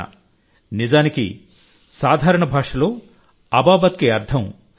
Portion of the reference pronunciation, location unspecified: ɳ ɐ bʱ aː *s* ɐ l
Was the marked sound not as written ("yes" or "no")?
yes